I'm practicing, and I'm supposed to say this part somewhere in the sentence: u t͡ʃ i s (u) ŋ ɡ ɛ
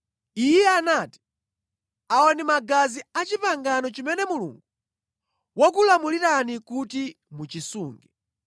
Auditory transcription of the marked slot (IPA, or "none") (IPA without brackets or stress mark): uː